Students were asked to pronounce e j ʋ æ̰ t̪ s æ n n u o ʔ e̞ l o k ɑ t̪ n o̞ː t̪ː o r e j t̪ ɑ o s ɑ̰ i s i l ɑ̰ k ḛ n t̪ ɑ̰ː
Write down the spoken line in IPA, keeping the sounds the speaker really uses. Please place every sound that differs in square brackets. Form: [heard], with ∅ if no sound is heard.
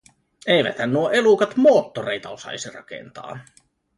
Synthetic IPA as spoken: e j ʋ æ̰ t̪ [h] æ n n u o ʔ e̞ l [u] k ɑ t̪ [m] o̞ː t̪ː o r e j t̪ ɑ o s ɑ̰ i s i [r] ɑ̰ k ḛ n t̪ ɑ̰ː